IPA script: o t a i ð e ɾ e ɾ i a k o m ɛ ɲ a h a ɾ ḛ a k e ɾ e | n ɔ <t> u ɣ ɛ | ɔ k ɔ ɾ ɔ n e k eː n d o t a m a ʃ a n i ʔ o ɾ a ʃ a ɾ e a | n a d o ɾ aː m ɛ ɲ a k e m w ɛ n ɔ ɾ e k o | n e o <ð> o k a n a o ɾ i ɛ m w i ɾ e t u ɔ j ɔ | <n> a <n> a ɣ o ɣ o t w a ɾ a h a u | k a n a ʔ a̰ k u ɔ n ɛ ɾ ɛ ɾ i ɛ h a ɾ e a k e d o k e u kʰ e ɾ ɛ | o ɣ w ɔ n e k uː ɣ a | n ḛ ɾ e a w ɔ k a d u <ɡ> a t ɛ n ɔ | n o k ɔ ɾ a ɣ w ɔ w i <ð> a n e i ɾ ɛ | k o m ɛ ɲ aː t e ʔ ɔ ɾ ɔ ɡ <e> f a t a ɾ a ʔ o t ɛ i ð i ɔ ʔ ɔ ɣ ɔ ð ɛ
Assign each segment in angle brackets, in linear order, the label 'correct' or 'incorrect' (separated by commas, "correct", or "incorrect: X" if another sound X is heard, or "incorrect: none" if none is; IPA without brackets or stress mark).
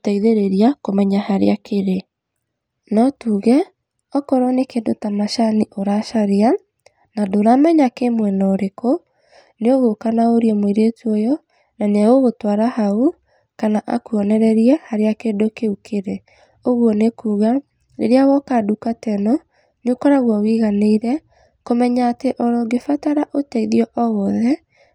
correct, incorrect: ɣ, correct, correct, incorrect: k, incorrect: ɣ, correct